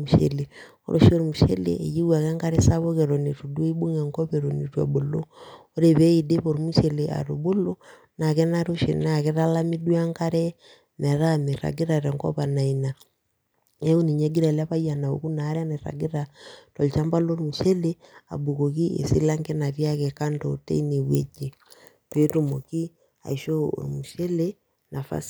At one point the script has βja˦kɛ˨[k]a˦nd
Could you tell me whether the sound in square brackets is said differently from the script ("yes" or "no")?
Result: no